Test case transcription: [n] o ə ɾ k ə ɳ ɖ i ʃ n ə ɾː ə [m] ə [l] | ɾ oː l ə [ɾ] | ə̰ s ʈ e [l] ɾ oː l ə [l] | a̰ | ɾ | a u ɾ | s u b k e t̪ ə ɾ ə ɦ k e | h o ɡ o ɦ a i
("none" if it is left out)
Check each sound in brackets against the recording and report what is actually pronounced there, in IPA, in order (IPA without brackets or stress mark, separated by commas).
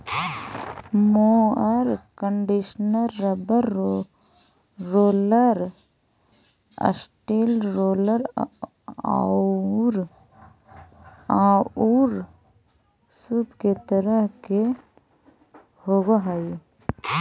m, b, ɾ, ɾ, l, ɾ